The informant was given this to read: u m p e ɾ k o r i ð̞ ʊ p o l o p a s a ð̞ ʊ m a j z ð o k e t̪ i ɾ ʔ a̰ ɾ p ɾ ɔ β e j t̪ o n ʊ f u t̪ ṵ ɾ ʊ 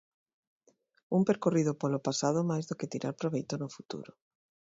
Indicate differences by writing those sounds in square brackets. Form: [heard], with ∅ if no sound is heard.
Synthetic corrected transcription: u m p e ɾ k o r i ð̞ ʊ p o l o p a s a ð̞ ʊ m a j z ð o k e t̪ i ɾ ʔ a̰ ɾ p ɾ [o] β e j t̪ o n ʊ f u t̪ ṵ ɾ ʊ